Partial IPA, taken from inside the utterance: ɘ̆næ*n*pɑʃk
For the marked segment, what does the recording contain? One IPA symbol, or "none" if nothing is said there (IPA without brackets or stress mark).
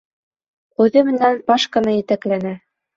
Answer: n